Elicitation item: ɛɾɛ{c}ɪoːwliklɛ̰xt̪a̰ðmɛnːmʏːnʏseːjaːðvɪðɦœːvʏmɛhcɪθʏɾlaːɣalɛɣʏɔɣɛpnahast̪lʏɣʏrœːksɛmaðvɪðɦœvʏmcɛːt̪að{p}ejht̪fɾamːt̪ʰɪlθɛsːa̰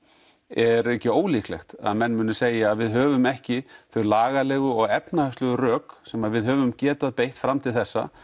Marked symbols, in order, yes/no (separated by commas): yes, yes